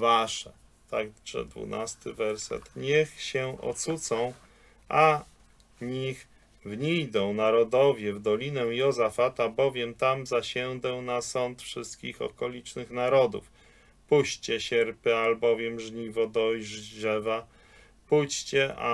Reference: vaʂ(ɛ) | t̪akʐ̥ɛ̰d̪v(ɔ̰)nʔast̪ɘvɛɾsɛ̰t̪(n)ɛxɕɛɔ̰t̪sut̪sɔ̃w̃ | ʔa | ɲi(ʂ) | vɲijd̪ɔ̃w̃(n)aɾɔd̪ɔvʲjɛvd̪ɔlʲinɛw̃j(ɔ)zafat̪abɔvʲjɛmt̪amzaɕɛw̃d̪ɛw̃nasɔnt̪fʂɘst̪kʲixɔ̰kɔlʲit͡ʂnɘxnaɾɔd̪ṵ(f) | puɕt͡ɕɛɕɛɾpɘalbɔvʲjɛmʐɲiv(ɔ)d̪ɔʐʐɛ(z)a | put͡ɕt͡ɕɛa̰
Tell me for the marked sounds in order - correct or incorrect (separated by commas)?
correct, incorrect, incorrect, incorrect, correct, correct, correct, correct, incorrect